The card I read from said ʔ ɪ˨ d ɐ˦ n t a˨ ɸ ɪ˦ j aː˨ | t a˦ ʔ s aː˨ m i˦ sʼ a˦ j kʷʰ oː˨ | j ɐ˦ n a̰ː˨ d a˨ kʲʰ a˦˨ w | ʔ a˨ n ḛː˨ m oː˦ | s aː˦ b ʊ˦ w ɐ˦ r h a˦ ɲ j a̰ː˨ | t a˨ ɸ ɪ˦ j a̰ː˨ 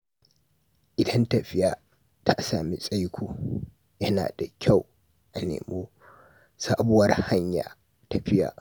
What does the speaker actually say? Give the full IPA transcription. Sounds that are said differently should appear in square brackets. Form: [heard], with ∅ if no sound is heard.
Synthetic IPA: ʔ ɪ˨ d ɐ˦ n t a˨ ɸ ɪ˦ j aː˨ | t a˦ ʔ s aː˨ m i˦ sʼ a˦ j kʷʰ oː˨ | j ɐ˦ n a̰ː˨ d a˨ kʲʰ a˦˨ w | ʔ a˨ n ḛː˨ m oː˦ | s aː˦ b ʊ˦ w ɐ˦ r h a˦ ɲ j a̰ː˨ | t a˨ ɸ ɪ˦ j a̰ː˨